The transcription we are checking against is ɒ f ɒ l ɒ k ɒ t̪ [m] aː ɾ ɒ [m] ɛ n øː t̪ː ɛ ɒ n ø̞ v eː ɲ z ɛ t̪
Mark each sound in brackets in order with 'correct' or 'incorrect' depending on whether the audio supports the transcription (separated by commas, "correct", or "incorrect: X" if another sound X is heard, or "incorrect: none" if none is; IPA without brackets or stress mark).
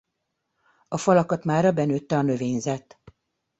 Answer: correct, incorrect: b